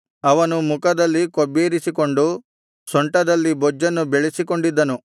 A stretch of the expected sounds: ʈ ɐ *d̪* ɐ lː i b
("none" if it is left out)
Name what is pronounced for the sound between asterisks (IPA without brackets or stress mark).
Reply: d̪